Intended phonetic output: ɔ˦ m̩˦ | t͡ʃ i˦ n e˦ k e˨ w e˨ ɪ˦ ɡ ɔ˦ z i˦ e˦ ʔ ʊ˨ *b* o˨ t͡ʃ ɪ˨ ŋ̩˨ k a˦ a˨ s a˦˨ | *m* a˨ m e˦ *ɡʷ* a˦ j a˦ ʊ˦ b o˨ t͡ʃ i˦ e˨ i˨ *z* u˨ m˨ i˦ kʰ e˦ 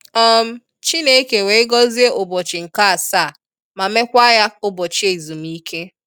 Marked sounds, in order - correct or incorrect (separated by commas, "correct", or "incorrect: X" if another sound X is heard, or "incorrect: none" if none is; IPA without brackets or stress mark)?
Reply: correct, correct, incorrect: kʷ, correct